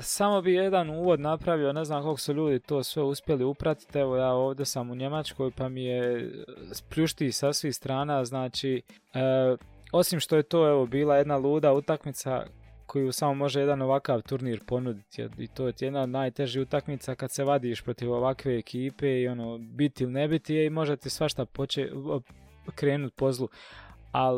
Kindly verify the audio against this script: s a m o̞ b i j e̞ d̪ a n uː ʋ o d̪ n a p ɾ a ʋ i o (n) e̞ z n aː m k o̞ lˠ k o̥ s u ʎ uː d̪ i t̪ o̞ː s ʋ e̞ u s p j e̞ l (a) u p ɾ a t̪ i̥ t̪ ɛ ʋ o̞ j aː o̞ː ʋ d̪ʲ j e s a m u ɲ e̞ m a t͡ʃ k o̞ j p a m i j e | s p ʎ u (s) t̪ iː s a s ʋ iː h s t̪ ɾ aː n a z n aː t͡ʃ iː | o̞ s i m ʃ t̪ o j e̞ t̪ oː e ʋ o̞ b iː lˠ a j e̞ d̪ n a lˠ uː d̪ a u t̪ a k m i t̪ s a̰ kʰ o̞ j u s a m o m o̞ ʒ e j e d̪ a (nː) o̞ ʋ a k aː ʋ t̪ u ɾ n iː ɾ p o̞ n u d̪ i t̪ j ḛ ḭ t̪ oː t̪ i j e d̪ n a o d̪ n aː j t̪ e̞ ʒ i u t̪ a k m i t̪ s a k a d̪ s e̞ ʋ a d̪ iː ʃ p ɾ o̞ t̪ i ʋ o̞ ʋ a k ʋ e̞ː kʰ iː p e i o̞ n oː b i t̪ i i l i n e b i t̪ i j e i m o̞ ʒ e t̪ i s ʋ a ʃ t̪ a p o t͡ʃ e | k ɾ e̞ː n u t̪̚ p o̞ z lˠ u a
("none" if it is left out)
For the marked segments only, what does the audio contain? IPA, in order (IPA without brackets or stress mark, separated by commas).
n, i, ʃ, n